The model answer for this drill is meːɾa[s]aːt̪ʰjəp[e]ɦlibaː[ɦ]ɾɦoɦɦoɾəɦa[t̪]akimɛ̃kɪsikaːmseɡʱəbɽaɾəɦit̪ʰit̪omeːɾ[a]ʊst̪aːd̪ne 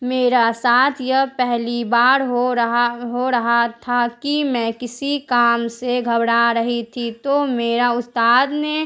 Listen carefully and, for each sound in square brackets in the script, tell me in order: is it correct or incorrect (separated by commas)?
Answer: correct, incorrect, incorrect, incorrect, correct